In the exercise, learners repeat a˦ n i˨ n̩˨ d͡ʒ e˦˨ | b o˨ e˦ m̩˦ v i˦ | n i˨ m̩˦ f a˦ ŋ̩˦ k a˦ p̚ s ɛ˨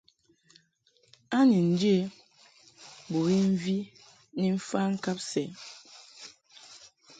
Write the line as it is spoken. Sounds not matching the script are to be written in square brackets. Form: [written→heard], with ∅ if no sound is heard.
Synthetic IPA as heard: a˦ n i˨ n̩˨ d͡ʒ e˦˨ | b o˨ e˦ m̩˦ v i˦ | n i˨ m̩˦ f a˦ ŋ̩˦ k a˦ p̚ s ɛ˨